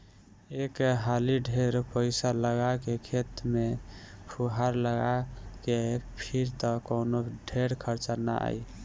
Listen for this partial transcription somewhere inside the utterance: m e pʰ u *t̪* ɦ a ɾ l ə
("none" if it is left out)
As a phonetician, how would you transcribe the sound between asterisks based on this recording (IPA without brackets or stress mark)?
none